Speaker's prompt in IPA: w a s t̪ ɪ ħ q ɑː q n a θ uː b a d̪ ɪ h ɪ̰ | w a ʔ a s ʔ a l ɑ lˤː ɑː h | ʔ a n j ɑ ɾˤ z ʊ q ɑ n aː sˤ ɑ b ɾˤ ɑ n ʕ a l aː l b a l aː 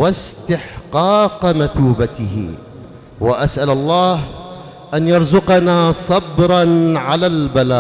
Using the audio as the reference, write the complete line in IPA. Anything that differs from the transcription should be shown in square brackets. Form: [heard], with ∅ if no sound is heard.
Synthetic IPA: w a s t̪ ɪ ħ q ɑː q [m] a θ uː b a [t̪] ɪ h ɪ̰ | w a ʔ a s ʔ a l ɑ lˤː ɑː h | ʔ a n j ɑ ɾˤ z ʊ q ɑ n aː sˤ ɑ b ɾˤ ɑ n ʕ a l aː l b a l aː